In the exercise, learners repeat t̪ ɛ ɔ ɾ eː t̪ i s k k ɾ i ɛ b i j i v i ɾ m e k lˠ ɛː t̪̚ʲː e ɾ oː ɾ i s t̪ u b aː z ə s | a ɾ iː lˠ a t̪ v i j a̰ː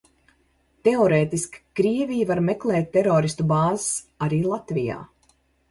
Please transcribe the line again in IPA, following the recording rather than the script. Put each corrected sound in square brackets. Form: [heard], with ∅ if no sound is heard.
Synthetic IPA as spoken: t̪ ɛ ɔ ɾ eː t̪ i s k k ɾ i ɛ [v] i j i v [a] ɾ m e k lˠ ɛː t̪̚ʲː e ɾ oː ɾ i s t̪ u b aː z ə s | a ɾ iː lˠ a t̪ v i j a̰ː